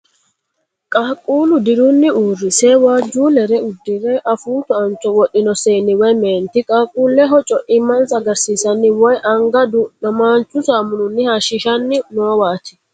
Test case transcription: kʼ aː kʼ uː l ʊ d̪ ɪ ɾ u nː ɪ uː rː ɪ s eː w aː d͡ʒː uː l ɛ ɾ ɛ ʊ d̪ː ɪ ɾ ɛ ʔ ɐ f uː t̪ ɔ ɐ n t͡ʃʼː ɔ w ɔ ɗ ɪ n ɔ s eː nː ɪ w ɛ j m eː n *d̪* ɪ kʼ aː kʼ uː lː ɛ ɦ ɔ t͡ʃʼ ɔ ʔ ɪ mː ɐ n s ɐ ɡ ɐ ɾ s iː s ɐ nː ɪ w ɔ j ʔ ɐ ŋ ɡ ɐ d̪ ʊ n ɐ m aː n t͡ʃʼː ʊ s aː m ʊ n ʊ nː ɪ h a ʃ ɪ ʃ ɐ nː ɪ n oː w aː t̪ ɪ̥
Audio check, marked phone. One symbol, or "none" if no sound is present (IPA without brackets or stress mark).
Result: t̪